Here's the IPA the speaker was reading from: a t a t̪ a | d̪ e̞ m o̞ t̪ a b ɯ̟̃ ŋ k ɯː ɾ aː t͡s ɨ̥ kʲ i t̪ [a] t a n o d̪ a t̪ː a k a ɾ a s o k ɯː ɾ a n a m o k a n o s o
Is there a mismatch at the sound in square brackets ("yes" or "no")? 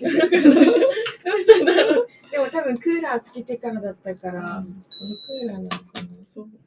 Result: yes